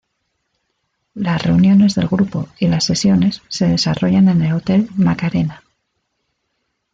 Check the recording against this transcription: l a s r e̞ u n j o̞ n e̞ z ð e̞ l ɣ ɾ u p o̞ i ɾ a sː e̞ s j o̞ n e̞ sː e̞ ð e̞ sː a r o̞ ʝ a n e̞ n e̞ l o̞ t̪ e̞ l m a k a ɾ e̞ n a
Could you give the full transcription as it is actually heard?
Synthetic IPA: l a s r e̞ u n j o̞ n e̞ z ð e̞ l ɣ ɾ u p o̞ i l a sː e̞ s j o̞ n e̞ sː e̞ ð e̞ s a r o̞ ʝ a n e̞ n e̞ l o̞ t̪ e̞ l m a k a ɾ e̞ n a